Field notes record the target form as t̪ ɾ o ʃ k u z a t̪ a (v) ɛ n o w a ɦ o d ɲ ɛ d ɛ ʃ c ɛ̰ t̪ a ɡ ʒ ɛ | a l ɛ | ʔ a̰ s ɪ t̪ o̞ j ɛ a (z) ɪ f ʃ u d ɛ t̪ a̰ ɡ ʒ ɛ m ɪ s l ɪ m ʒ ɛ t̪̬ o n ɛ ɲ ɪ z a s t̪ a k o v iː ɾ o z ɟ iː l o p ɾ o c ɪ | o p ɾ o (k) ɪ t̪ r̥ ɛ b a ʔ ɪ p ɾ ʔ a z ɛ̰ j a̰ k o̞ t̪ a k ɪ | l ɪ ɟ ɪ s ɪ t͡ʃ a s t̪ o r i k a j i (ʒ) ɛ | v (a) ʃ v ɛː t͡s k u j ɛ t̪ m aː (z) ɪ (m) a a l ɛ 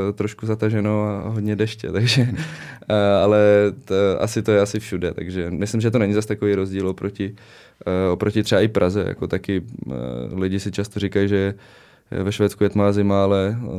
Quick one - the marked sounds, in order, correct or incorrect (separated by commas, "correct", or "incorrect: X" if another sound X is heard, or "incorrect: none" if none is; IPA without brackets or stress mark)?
incorrect: ʒ, incorrect: s, incorrect: c, correct, incorrect: ɛ, correct, correct